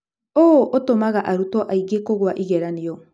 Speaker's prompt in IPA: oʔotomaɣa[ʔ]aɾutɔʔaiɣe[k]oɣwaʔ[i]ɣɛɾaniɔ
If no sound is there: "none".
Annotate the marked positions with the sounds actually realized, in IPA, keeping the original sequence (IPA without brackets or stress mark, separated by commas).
ʔ, k, i